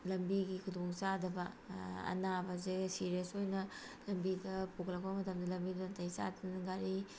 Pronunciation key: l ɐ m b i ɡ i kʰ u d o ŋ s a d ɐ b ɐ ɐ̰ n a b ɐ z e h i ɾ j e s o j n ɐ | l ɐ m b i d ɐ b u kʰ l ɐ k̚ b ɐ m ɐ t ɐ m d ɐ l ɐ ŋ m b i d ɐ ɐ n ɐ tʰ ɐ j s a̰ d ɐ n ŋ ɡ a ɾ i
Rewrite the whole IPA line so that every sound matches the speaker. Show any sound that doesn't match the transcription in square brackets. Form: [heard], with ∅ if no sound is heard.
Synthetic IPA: l ɐ m b i ɡ i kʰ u d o ŋ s a d ɐ b ɐ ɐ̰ n a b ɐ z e [s] i ɾ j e s o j n ɐ | l ɐ m b i d ɐ [p] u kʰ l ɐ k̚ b ɐ m ɐ t ɐ m d ɐ l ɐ [∅] m b i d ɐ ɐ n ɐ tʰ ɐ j s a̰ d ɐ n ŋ ɡ a ɾ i